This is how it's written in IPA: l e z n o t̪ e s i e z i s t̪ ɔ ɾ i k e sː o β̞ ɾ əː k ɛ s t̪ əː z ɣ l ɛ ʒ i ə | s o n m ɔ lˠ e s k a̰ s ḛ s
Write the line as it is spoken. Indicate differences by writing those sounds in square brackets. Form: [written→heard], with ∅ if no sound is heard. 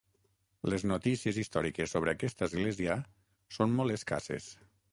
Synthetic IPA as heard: l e z n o t̪ [e→i] s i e z i s t̪ ɔ ɾ i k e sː o β̞ ɾ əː k ɛ s t̪ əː z ɣ l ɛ [ʒ→z] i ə | s o n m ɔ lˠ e s k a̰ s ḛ s